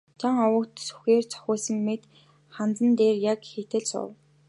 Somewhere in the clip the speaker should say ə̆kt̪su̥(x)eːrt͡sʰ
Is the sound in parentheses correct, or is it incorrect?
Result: correct